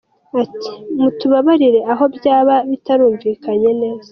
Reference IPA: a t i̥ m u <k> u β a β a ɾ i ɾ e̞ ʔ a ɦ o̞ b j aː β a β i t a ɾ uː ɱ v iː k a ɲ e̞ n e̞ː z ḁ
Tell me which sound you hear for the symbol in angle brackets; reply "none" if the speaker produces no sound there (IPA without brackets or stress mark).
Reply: t